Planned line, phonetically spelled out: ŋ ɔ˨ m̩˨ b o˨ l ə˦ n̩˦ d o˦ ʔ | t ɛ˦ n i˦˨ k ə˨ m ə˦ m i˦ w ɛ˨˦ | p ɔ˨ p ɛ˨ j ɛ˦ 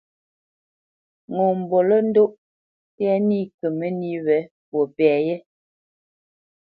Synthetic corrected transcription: ŋ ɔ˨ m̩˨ b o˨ l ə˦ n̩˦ d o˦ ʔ | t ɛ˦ n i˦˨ k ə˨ m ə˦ n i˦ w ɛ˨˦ | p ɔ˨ p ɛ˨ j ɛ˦